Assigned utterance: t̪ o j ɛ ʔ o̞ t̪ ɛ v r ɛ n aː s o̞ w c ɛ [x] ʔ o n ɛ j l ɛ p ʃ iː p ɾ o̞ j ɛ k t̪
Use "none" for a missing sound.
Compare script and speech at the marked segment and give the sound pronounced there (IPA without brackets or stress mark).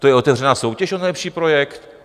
ʃ